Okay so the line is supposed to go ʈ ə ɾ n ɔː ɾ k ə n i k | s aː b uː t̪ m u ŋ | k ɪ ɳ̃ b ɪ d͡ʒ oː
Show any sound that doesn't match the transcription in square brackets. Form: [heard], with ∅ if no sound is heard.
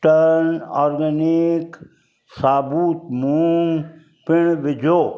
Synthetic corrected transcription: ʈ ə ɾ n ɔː ɾ [ɡ] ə n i k | s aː b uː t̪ m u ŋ | [p] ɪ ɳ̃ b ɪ d͡ʒ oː